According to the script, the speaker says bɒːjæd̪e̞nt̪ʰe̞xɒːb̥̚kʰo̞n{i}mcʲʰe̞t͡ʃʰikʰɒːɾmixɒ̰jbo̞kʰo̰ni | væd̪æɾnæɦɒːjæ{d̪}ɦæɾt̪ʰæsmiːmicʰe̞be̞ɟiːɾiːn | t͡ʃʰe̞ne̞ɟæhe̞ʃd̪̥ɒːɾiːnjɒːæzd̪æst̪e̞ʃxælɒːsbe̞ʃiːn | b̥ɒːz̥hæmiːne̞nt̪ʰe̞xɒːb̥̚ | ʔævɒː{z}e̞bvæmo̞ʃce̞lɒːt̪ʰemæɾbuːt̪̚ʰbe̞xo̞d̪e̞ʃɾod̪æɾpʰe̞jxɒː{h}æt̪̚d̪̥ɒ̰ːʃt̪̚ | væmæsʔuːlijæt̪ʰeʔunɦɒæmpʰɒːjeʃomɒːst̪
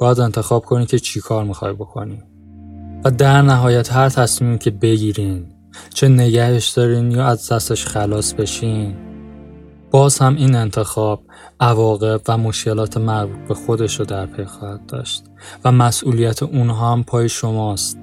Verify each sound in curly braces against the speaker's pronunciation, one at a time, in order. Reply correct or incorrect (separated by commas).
correct, incorrect, incorrect, correct